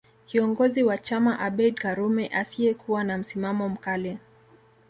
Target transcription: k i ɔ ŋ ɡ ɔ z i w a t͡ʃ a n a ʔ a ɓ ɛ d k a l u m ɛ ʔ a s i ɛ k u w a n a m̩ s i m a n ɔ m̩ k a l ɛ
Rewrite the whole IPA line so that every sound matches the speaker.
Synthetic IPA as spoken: k i ɔ ŋ ɡ ɔ z i w a t͡ʃ a m a ʔ a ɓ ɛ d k a ɾ u m ɛ ʔ a s i ɛ k u w a n a m̩ s i m a m ɔ m̩ k a l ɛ

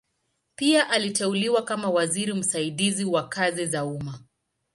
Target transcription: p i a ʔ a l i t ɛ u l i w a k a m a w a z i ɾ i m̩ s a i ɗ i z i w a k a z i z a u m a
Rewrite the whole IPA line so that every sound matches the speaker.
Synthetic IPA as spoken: p i a ʔ a l i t ɛ u l i w a k a m a w a z i ɾ i m̩ s a i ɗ i z i w a k a z i z a u m a

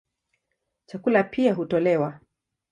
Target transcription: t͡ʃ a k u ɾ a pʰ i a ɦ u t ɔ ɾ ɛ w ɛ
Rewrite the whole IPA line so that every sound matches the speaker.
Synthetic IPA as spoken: t͡ʃ a k u l a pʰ i a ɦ u t ɔ l ɛ w a

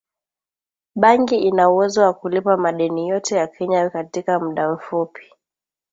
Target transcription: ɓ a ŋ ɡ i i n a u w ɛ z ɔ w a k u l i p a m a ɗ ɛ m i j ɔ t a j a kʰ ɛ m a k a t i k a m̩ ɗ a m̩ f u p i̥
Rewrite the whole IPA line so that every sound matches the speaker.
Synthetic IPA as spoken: ɓ a ŋ ɡ i i n a u w ɛ z ɔ w a k u l i p a m a ɗ ɛ n i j ɔ t ɛ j a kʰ ɛ ɲ a k a t i k a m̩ ɗ a m̩ f u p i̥

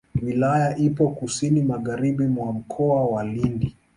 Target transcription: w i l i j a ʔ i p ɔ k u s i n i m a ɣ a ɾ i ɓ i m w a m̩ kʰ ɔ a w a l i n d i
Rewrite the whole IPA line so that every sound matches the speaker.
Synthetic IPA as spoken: w i l a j a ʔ i p ɔ k u s i n i m a ɣ a ɾ i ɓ i m w a m̩ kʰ ɔ a w a l i n d i

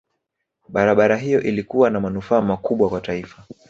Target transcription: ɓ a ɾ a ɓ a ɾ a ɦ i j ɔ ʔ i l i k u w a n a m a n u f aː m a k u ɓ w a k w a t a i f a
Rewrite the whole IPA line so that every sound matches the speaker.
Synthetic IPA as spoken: ɓ a ɾ a ɓ a ɾ a ɦ i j ɔ ʔ i l i k u w a n a m a n u f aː m a k u ɓ w a k w a t a i f a

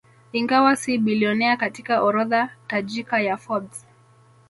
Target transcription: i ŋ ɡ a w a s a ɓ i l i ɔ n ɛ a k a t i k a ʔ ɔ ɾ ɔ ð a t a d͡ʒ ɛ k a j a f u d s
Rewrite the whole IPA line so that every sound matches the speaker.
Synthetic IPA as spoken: i ŋ ɡ a w a s i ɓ i l i ɔ n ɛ a k a t i k a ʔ ɔ ɾ ɔ ð a t a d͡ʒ i k a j a f ɔ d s

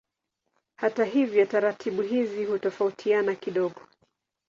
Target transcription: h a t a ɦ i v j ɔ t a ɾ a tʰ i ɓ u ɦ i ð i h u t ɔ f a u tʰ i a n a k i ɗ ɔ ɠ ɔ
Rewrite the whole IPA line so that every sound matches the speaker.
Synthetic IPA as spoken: h a t a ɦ i v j ɔ t a ɾ a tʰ i ɓ u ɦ i z i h u t ɔ f a u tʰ i a n a k i ɗ ɔ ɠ ɔ

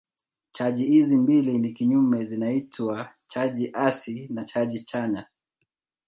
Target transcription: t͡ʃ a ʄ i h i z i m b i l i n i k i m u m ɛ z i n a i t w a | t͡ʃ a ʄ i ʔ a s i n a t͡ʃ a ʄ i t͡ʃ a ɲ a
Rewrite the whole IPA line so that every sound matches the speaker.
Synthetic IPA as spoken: t͡ʃ a ʄ i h i z i m b i l i n i k i ɲ u m ɛ z i n a i t w a | t͡ʃ a ʄ i ʔ a s i n a t͡ʃ a ʄ i t͡ʃ a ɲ a

